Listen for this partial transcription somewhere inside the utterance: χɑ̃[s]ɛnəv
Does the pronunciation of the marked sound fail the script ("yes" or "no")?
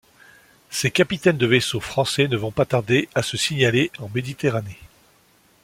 no